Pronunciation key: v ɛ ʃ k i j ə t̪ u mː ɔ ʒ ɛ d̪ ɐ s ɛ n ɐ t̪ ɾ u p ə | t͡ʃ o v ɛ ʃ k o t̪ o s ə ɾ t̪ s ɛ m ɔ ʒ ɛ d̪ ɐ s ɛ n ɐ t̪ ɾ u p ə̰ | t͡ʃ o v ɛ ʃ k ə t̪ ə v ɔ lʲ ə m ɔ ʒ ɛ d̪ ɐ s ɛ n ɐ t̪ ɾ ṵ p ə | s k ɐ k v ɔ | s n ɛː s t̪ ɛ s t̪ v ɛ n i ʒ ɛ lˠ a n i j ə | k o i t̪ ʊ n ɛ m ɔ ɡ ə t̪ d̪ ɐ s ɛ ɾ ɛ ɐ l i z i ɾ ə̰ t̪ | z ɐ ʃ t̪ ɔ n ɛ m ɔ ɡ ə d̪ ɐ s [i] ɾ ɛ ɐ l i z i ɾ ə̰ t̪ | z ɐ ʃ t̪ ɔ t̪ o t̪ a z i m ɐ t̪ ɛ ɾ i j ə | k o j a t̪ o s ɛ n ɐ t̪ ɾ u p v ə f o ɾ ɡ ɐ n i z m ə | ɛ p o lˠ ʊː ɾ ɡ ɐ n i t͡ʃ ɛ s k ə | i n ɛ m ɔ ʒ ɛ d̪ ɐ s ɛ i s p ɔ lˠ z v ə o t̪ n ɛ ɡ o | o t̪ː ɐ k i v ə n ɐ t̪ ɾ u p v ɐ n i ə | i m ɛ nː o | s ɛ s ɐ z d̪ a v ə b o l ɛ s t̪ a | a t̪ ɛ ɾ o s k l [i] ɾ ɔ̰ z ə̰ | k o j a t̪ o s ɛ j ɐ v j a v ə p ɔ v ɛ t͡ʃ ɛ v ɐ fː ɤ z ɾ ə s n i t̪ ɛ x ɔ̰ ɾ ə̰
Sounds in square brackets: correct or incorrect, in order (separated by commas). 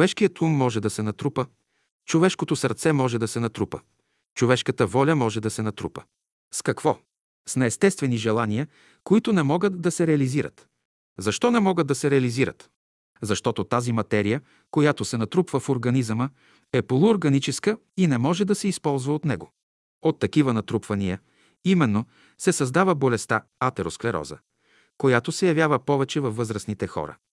incorrect, incorrect